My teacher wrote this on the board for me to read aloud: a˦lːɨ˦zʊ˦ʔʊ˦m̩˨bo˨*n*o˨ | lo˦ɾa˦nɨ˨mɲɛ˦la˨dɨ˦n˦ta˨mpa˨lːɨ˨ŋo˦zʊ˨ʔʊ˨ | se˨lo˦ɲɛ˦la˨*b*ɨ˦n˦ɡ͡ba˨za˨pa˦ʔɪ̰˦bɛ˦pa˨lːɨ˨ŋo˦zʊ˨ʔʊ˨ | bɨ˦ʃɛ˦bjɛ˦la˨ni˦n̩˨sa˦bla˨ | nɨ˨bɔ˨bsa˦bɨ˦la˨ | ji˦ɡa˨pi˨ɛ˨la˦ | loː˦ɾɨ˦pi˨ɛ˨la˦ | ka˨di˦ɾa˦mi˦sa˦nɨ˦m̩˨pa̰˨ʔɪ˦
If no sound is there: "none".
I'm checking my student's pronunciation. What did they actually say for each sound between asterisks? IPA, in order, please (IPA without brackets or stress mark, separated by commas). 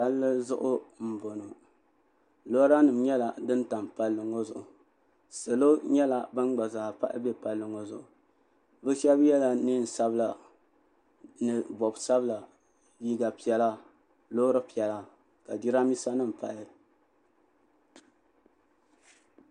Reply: n, b